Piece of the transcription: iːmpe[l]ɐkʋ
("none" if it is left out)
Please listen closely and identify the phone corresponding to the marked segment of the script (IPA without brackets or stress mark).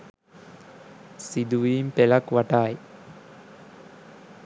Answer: l